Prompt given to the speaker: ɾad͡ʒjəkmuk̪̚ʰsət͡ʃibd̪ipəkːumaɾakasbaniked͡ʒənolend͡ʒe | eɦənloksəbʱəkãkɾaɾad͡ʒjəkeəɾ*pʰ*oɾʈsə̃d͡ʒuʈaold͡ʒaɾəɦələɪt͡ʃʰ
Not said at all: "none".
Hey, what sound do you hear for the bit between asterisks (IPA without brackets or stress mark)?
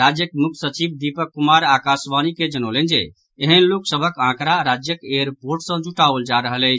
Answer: p